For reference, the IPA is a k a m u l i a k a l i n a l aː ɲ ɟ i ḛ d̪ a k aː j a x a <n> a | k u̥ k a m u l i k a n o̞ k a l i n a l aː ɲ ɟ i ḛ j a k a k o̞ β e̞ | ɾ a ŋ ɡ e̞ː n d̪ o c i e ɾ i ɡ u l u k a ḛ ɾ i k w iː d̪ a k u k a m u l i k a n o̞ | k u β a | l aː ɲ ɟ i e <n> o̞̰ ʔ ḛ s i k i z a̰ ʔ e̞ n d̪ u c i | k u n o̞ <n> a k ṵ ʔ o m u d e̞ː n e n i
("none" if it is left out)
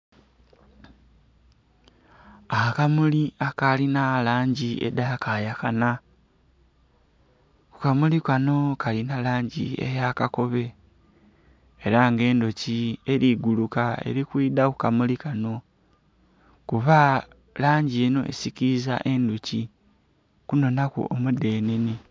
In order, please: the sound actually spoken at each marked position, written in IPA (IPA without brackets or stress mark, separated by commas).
n, n, n